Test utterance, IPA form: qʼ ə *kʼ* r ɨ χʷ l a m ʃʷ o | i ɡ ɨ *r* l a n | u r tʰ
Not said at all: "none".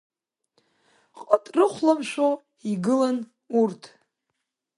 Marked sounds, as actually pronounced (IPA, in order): tʼ, none

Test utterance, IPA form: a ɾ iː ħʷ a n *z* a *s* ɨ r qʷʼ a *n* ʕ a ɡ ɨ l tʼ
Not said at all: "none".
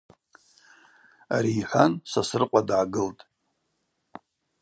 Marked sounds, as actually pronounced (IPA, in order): s, s, d

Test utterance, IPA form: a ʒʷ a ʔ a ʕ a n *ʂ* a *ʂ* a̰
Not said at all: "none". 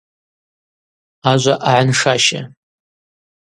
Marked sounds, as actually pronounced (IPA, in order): ʂ, ʃ

